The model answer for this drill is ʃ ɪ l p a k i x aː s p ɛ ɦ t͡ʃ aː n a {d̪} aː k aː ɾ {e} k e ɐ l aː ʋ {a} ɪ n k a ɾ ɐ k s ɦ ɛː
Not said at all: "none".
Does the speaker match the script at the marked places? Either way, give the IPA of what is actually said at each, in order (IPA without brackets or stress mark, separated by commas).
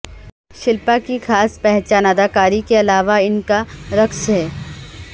d̪, i, a